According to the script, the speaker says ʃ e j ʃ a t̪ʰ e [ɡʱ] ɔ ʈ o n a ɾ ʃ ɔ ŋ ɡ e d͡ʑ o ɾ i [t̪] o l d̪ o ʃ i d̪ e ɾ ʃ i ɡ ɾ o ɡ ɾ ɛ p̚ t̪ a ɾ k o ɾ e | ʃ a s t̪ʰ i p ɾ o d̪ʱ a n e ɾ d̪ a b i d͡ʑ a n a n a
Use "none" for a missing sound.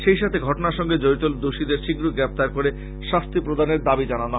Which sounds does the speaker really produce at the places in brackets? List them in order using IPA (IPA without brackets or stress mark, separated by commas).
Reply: ɡʱ, t̪